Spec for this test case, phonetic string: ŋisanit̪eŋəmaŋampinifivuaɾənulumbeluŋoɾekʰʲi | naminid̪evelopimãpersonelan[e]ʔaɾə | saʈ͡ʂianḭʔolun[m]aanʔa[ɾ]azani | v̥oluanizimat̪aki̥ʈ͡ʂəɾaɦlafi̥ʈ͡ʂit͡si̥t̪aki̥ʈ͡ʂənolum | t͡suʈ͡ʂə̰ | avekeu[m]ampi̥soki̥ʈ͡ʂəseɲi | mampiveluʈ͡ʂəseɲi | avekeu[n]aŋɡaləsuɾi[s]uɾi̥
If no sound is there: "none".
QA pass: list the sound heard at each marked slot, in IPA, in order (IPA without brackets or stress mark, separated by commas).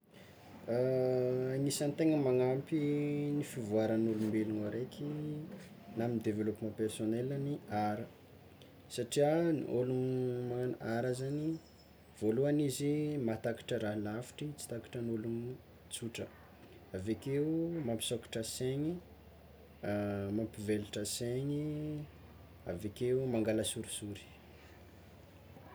i, m, ɾ, m, m, s